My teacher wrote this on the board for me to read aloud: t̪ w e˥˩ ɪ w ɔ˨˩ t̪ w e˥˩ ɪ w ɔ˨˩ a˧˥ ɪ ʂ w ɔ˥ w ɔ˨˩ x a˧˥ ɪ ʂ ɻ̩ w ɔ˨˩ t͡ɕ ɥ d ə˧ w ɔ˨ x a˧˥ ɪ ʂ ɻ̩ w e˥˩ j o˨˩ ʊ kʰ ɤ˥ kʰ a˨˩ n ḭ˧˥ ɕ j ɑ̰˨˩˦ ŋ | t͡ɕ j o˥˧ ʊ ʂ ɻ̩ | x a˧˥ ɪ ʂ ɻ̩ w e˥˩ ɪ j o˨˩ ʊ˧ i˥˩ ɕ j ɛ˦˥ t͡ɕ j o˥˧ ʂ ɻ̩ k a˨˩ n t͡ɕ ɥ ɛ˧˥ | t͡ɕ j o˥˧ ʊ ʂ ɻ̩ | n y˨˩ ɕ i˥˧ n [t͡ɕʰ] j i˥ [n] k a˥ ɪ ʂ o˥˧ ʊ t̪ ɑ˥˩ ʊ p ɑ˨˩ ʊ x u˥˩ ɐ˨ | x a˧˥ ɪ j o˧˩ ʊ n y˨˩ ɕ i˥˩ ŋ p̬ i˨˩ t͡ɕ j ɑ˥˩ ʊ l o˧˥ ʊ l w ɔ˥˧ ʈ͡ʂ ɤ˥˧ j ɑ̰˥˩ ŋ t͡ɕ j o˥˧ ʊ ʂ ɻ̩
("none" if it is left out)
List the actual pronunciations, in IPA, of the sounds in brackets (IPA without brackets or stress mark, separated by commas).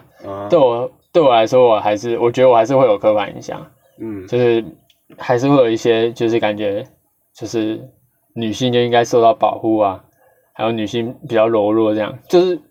t͡ɕ, ŋ